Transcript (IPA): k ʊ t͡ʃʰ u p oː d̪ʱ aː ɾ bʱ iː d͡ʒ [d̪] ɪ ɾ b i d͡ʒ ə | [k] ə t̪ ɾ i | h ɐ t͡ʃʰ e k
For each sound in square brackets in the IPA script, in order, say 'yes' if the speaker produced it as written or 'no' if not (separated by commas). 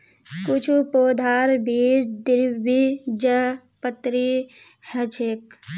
yes, no